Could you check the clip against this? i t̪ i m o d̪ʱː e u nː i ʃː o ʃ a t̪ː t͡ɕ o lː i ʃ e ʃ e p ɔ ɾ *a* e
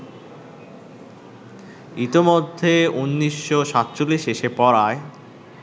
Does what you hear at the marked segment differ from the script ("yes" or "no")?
no